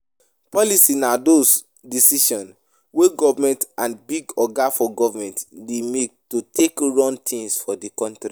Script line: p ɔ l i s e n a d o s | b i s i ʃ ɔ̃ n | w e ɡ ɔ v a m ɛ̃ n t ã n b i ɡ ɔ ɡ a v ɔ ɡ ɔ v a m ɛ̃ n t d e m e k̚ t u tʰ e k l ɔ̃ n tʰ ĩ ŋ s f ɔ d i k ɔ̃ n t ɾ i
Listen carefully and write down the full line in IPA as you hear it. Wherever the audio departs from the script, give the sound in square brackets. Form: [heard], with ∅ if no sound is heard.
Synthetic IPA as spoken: p ɔ l i s [i] n a d o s | [d] i s i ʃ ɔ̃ n | w e ɡ ɔ v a m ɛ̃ n t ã n b i ɡ ɔ ɡ a [f] ɔ ɡ ɔ v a m ɛ̃ n t d e m e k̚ t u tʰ e k [ɹ] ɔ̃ n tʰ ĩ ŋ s f ɔ d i k ɔ̃ n t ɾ i